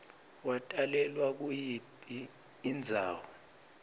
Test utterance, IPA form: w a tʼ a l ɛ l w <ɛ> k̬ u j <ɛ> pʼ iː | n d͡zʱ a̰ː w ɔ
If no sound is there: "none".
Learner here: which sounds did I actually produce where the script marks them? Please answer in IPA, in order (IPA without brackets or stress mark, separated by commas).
a, i